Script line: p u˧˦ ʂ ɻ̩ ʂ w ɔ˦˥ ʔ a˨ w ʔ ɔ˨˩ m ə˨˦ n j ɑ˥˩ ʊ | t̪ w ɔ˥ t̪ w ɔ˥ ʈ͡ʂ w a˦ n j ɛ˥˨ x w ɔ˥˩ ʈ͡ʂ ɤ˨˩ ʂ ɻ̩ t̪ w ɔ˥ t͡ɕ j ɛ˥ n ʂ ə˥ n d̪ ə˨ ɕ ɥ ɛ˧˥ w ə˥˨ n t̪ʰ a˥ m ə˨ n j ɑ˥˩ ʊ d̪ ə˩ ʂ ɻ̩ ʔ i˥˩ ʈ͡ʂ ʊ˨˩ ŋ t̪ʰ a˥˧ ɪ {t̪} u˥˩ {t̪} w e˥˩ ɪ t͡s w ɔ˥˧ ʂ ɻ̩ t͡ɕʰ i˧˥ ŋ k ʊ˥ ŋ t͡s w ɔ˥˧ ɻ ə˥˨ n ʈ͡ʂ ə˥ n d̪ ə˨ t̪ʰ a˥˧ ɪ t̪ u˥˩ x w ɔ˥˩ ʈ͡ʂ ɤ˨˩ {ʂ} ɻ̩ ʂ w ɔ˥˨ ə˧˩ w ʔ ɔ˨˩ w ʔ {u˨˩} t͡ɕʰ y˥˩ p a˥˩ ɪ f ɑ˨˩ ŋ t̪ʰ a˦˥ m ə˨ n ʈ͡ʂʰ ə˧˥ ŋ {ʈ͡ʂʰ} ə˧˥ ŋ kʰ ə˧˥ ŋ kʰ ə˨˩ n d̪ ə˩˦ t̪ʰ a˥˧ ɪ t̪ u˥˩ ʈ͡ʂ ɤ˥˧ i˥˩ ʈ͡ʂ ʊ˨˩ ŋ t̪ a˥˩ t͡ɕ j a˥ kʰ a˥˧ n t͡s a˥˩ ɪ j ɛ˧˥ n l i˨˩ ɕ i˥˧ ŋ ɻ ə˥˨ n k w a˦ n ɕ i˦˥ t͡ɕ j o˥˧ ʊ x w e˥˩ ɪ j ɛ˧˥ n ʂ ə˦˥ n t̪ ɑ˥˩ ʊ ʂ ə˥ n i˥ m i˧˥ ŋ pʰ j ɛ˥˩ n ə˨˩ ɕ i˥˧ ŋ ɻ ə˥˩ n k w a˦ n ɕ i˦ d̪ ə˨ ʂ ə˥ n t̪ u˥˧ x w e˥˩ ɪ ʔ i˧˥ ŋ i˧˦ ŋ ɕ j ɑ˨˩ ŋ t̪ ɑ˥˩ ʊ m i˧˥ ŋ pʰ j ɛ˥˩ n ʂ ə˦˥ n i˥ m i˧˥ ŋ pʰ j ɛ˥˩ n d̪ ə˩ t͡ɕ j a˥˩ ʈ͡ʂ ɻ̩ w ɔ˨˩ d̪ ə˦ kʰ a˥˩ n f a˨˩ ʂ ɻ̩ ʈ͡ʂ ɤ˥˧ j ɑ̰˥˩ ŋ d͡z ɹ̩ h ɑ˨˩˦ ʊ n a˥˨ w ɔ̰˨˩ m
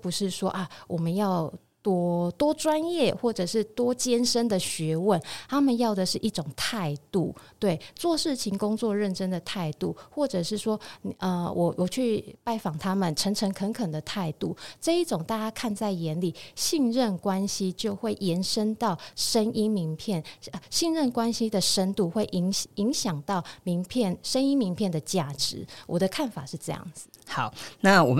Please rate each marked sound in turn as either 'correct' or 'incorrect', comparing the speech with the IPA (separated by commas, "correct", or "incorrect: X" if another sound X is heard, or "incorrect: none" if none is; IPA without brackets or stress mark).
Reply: correct, correct, correct, incorrect: ɔ˨˩, correct